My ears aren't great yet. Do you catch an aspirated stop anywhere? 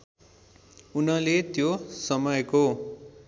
no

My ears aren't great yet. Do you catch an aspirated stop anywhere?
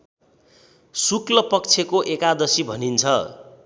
yes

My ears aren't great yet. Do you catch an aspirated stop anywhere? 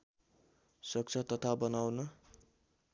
yes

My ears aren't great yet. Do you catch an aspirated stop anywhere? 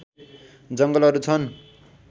yes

